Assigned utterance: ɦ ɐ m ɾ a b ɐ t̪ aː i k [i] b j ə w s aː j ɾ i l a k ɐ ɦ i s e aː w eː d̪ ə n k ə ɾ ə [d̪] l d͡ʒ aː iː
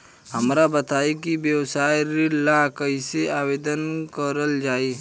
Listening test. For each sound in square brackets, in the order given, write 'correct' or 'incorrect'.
correct, incorrect: none

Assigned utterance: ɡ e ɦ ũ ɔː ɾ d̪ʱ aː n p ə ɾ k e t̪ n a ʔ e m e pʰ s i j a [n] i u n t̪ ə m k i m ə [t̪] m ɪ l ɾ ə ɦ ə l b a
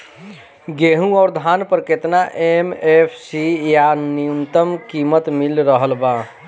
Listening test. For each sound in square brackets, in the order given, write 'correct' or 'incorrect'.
correct, correct

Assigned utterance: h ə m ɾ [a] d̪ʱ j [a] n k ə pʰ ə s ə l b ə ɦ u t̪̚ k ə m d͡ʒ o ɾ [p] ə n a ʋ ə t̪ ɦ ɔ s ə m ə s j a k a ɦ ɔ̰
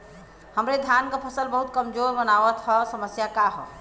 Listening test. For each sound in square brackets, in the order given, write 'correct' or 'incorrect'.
incorrect: e, correct, incorrect: b

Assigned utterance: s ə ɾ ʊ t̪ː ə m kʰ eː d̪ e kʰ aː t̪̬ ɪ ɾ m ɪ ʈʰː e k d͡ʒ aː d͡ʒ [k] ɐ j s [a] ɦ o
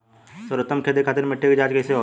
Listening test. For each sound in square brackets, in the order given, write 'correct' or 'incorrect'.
correct, incorrect: e

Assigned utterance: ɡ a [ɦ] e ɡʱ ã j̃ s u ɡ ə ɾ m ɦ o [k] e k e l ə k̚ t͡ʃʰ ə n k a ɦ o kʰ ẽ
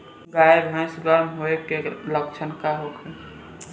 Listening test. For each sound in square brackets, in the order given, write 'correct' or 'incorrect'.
incorrect: none, incorrect: none

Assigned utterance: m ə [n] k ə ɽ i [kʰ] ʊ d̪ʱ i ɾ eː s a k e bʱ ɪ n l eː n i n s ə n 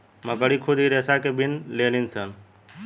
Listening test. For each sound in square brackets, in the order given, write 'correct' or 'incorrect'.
incorrect: none, correct

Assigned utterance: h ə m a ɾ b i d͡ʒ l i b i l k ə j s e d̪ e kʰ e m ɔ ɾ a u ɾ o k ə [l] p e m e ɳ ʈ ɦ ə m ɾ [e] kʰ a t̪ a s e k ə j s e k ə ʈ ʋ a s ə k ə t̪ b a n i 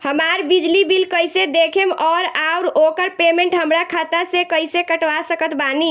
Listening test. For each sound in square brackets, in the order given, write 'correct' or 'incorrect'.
incorrect: ɾ, incorrect: a

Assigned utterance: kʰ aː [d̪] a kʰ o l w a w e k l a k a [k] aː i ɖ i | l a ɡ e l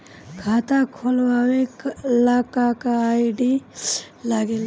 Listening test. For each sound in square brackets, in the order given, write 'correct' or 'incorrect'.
incorrect: t̪, correct

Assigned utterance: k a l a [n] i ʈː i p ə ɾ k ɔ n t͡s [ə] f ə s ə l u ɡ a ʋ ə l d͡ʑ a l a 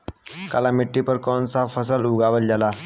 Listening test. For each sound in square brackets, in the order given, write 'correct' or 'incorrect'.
incorrect: m, incorrect: a

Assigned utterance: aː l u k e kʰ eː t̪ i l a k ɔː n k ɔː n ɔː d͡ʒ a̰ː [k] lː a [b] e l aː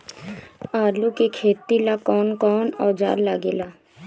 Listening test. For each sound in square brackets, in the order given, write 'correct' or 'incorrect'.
incorrect: none, incorrect: ɡ

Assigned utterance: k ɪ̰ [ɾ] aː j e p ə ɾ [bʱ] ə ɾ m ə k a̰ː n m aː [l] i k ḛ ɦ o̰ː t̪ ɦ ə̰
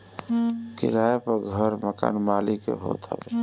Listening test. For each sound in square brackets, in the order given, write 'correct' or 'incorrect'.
correct, incorrect: ɡʱ, correct

